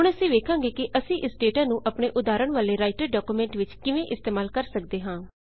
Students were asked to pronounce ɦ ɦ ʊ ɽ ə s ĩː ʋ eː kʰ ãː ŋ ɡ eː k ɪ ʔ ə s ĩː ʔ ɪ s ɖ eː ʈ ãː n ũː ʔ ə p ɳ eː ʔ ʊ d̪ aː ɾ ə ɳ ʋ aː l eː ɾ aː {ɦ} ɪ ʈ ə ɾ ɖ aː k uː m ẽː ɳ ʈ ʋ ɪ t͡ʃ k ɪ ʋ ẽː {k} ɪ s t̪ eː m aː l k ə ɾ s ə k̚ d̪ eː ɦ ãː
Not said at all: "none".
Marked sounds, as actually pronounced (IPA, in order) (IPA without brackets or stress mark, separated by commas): none, ʔ